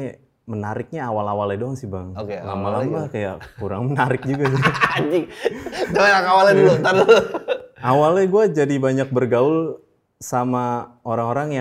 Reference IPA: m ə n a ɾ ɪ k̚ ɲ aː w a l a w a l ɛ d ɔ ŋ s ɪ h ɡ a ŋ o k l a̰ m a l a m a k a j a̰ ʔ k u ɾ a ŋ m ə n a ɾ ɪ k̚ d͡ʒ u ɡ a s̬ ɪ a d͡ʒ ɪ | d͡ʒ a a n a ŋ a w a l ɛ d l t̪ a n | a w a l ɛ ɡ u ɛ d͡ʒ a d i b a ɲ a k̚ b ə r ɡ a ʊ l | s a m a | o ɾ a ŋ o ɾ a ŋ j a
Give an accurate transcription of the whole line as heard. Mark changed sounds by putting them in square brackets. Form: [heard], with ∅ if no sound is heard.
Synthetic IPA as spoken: m ə n a ɾ ɪ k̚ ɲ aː w a l a w a l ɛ d ɔ ŋ s ɪ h [b] a ŋ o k l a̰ m a l a m a k a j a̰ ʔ k u ɾ a ŋ m ə n a ɾ ɪ k̚ d͡ʒ u ɡ a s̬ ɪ a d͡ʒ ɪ | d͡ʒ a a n a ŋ a w a l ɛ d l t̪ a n | a w a l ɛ ɡ u [a] d͡ʒ a d i b a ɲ a k̚ b ə r ɡ a ʊ l | s a m a | o ɾ a ŋ o ɾ a ŋ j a